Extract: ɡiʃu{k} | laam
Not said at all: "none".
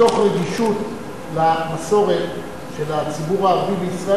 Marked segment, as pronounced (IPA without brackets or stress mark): t